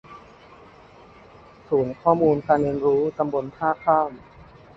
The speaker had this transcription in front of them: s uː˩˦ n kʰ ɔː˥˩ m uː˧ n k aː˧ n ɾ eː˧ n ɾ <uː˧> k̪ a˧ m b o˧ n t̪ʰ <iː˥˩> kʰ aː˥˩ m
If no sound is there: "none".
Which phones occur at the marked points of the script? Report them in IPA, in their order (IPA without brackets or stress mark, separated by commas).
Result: uː˦˥, aː˥˩